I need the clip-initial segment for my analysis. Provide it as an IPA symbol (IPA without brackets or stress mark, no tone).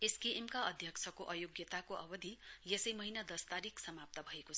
e